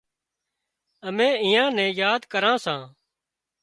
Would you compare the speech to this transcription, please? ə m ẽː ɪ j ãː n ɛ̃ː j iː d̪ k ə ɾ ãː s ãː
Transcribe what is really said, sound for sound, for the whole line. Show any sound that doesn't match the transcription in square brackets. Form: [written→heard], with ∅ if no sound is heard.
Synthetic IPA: ə m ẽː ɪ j ãː n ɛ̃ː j [iː→aː] d̪ k ə ɾ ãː s ãː